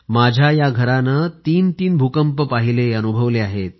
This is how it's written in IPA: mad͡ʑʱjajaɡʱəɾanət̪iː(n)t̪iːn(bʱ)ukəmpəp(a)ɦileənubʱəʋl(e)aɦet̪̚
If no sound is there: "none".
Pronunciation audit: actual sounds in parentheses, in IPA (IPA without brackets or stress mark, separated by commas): n, bʱ, a, e